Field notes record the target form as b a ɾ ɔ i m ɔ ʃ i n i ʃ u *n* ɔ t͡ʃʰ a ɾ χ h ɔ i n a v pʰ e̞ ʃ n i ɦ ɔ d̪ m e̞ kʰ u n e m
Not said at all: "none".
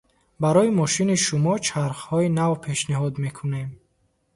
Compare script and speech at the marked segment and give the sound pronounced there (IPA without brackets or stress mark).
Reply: m